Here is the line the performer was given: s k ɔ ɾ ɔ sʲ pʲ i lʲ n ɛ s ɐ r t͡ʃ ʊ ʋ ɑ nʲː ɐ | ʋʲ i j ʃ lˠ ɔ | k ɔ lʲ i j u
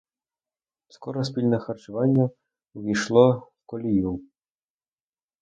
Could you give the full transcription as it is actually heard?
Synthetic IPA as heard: s k ɔ ɾ ɔ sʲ pʲ i lʲ n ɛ x ɐ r t͡ʃ ʊ ʋ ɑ nʲː ɐ | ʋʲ i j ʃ lˠ ɔ | k ɔ lʲ i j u